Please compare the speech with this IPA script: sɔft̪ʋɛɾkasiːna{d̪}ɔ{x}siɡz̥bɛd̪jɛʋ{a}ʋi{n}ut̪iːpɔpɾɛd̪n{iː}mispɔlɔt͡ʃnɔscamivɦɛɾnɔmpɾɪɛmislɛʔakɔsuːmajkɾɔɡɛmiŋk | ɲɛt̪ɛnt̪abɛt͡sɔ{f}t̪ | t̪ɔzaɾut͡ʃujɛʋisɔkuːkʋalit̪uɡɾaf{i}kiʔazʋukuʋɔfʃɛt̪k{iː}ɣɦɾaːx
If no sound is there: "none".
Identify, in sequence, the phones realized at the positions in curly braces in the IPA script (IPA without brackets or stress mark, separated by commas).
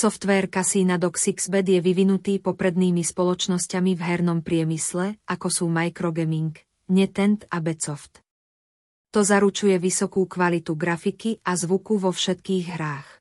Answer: d̪, k, i, n, iː, f, i, iː